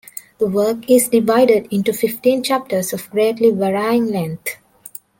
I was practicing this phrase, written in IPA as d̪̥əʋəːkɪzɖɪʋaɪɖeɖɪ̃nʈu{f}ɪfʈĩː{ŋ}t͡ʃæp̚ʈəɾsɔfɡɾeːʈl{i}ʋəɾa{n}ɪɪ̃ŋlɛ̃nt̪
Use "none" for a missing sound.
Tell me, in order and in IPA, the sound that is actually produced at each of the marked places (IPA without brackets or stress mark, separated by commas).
f, n, i, none